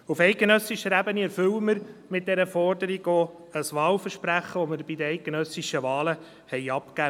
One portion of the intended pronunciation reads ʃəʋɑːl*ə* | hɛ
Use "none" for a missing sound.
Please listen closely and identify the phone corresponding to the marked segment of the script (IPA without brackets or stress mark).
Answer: ə